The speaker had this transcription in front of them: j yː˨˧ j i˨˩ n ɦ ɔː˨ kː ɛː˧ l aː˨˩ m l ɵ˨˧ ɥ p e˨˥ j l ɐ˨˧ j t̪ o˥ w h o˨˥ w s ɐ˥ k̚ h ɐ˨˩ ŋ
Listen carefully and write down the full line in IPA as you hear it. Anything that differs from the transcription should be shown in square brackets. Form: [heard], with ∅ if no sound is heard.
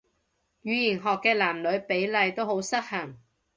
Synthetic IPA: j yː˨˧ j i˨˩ n ɦ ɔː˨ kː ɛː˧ l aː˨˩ m l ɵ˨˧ ɥ p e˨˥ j l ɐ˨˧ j t̪ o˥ w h o˨˥ w s ɐ˥ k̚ h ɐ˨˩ ŋ